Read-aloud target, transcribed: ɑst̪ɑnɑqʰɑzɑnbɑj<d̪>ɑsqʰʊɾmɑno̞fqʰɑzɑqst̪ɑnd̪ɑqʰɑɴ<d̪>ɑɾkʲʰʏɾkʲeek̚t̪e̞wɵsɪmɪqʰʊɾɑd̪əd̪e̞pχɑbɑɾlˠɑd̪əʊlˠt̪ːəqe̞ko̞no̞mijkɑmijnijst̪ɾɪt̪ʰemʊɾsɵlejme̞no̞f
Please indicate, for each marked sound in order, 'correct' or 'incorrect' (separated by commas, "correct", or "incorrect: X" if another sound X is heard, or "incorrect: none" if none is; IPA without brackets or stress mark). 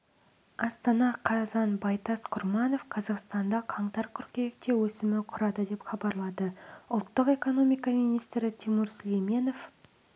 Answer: incorrect: t̪, incorrect: t̪